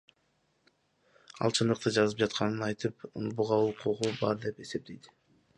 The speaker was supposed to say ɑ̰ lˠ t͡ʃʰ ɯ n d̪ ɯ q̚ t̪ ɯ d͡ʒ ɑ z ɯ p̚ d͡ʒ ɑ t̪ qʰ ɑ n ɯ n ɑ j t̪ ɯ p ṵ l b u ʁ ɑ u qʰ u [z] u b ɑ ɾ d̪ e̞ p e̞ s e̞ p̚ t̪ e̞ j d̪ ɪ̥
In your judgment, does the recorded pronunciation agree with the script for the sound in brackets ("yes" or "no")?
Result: no